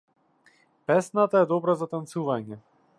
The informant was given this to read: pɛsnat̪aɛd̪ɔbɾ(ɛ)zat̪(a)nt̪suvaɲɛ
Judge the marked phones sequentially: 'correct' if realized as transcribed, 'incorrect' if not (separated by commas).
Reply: incorrect, correct